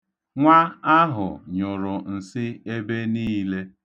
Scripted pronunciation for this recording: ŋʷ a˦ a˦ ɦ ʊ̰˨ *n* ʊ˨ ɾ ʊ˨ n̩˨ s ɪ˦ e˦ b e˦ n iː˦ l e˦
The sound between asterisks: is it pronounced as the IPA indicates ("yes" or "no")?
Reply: no